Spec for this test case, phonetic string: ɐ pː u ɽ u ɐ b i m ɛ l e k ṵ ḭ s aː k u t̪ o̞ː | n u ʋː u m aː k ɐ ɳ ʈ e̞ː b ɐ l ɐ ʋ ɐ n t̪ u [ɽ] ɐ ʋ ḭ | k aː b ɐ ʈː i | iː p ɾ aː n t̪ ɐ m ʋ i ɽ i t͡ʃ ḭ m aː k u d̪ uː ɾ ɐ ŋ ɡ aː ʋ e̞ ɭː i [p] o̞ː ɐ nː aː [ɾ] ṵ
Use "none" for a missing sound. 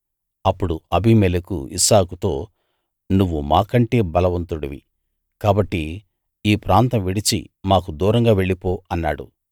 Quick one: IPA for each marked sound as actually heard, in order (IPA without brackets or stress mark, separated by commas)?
ɽ, p, ɽ